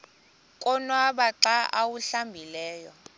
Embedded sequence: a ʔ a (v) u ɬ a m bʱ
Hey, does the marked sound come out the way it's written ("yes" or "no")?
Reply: no